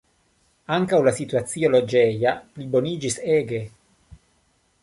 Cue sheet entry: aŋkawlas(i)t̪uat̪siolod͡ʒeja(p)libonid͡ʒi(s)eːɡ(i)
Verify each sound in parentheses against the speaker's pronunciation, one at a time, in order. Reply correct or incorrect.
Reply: correct, correct, correct, incorrect: e

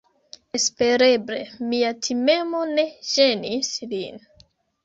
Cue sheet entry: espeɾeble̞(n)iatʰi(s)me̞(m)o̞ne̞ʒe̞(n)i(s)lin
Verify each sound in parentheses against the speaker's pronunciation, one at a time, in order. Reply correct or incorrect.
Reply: incorrect: m, incorrect: none, correct, correct, correct

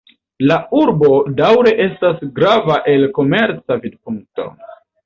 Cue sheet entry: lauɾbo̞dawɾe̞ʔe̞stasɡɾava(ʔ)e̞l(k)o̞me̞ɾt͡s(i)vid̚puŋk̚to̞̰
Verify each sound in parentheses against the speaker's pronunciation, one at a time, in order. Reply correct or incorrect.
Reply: correct, correct, incorrect: a

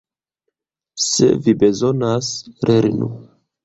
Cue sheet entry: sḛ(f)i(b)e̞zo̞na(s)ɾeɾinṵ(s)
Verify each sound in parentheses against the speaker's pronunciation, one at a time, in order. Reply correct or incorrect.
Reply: incorrect: v, correct, correct, incorrect: none

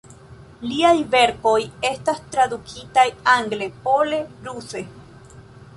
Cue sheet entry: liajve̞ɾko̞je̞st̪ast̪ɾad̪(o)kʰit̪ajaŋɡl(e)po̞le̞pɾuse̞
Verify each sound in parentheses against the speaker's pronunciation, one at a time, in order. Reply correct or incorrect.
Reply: incorrect: u, correct

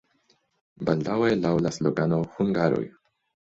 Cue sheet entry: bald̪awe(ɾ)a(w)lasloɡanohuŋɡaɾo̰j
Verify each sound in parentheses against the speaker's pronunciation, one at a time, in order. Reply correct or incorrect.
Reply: incorrect: l, correct

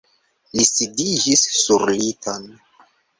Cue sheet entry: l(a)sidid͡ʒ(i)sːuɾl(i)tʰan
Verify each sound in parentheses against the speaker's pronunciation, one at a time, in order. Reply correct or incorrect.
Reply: incorrect: i, correct, correct

